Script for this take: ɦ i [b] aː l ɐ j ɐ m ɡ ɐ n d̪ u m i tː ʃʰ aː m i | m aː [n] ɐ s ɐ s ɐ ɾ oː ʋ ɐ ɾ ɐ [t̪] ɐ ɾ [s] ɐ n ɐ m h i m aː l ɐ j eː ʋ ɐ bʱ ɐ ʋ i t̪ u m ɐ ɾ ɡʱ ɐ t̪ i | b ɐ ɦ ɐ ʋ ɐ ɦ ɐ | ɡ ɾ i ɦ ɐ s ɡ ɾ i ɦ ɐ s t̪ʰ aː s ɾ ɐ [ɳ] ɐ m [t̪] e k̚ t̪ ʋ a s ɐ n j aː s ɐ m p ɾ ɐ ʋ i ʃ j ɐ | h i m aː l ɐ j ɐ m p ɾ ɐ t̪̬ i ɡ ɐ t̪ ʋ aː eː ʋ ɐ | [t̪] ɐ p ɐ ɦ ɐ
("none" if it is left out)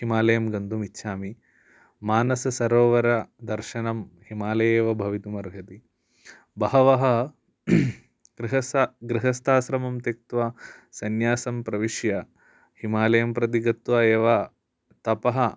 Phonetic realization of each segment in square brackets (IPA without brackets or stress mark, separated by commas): m, n, d̪, ʃ, m, t̪, t̪